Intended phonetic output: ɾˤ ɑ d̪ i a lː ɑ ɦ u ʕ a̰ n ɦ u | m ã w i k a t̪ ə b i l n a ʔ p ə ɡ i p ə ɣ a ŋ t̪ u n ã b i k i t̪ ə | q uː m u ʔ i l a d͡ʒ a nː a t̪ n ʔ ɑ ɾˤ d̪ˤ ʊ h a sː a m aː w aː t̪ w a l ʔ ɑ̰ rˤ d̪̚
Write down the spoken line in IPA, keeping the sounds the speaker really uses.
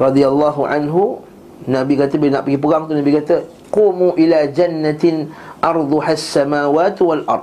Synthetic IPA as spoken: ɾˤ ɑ d̪ i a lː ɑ ɦ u ʕ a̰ n ɦ u | n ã b i k a t̪ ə b i l n a ʔ p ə ɡ i p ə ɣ a ŋ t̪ u n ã b i k a t̪ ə | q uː m u ʔ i l a d͡ʒ a nː a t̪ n ʔ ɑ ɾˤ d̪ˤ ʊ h a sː a m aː w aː t̪ w a l ʔ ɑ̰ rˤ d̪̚